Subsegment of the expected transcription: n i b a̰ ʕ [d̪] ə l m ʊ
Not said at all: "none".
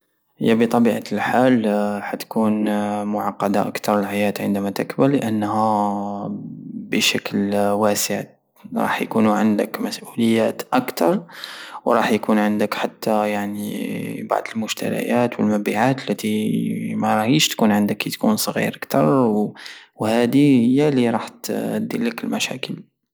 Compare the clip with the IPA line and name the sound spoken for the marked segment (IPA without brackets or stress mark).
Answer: d̪